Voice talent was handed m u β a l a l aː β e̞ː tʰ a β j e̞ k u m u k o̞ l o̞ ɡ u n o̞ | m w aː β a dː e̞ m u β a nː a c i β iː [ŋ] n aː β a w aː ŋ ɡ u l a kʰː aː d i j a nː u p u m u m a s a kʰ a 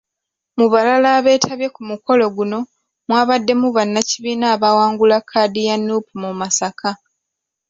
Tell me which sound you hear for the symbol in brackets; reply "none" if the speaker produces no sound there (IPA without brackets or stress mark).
none